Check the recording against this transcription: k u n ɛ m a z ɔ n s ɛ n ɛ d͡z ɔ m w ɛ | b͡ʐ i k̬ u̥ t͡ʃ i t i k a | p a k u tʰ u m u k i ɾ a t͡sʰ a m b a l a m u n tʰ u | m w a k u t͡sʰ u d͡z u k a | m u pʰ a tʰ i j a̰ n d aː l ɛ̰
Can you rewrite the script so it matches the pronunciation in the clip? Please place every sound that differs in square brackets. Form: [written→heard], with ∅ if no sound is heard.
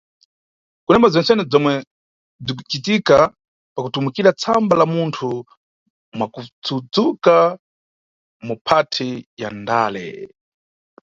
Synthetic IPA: k u n ɛ m a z ɔ n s ɛ n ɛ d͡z ɔ m w ɛ | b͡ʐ i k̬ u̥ t͡ʃ i t i k a | p a k u [tʰ→t] u m u k i ɾ a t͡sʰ a m b a l a m u n tʰ u | m w a k u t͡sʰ u d͡z u k a | m u pʰ a tʰ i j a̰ n d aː l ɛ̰